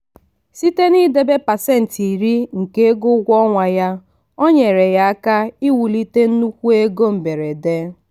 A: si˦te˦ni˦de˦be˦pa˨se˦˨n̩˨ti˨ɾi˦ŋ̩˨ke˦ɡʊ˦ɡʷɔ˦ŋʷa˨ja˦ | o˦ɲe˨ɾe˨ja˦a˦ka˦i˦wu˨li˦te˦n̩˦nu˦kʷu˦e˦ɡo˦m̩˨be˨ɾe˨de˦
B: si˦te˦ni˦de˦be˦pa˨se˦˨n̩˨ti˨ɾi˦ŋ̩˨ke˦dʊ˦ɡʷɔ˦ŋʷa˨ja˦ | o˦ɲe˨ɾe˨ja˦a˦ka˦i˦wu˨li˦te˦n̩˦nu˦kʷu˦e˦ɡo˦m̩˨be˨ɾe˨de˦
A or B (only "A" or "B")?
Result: A